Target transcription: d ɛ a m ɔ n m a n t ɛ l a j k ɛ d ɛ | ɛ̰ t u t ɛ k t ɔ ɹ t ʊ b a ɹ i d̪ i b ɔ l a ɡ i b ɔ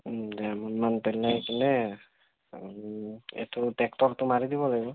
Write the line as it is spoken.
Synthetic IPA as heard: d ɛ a m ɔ n m a n p ɛ l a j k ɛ n ɛ | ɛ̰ t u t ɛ k t ɔ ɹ t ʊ m a ɹ i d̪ i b ɔ l a ɡ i b ɔ